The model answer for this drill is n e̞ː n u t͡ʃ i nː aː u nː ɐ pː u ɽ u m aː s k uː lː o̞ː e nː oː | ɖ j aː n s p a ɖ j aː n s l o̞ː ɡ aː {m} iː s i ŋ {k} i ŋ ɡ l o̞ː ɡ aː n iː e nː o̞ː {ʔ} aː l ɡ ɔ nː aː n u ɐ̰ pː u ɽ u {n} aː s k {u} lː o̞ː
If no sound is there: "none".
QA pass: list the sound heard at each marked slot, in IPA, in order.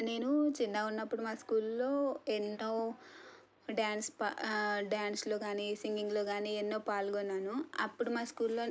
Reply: n, ɡ, p, m, uː

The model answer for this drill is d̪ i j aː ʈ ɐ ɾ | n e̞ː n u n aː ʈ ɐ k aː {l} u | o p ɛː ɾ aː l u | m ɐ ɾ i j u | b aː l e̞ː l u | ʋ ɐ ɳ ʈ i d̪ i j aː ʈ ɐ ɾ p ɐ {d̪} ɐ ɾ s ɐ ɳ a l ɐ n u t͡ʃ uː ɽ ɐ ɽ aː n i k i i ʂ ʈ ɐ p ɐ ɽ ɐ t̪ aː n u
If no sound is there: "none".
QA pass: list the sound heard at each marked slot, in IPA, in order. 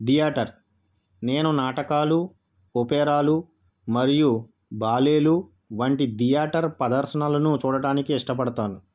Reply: l, d̪

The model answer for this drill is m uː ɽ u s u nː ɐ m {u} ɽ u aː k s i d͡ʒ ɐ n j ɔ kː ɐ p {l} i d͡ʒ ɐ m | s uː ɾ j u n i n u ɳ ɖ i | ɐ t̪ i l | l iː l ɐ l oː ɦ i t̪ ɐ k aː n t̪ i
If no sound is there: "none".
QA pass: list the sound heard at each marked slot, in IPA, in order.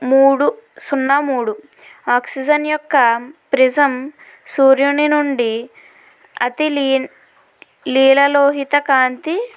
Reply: uː, ɾ

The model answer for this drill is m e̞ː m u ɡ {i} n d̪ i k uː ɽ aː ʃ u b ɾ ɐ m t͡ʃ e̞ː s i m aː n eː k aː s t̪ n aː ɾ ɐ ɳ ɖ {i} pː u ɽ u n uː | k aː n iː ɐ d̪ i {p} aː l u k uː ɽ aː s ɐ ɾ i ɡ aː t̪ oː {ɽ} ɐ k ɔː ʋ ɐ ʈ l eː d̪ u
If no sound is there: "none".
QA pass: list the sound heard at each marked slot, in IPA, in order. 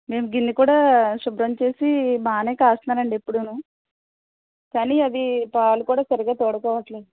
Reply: i, e, p, ɽ

